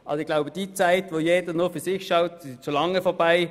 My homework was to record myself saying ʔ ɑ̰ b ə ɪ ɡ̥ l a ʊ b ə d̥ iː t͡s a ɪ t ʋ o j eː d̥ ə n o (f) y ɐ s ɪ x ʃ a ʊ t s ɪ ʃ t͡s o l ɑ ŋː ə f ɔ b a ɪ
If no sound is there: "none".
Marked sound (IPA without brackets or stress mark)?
f